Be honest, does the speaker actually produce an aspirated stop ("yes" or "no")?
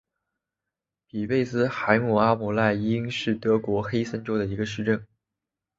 no